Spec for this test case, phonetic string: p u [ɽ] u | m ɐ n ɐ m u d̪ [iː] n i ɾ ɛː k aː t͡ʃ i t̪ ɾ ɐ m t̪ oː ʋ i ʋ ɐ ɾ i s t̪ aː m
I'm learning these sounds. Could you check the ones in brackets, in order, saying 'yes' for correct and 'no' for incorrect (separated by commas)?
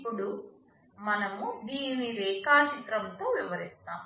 yes, yes